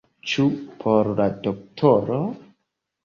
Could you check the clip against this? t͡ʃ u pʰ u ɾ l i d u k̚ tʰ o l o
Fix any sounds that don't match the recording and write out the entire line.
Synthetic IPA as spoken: t͡ʃ u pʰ o ɾ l a d o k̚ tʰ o ɾ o